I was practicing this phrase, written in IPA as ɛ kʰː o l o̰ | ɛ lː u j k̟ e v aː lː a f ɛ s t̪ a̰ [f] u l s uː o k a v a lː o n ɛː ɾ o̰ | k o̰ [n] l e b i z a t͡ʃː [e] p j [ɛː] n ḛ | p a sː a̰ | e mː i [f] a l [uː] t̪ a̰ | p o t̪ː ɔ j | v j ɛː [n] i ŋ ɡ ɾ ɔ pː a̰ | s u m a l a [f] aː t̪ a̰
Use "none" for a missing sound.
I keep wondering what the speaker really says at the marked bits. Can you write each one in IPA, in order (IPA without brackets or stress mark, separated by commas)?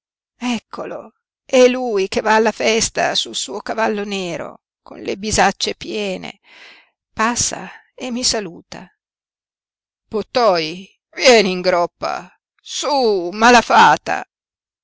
s, n, e, ɛː, s, uː, n, f